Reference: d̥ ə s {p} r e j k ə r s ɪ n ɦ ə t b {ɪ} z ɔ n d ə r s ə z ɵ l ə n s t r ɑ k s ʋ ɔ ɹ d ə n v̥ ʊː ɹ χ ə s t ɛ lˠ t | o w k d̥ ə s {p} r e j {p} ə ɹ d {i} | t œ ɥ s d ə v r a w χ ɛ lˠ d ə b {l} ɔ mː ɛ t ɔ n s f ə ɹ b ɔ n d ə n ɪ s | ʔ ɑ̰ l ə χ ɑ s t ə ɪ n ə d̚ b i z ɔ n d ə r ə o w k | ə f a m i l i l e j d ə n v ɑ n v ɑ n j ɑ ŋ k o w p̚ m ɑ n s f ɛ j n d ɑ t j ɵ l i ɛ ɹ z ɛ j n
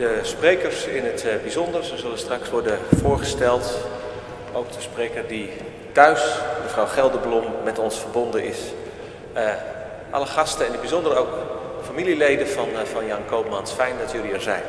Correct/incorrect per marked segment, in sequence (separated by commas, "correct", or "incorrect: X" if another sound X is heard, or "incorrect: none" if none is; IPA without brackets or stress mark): correct, incorrect: i, correct, incorrect: k, correct, correct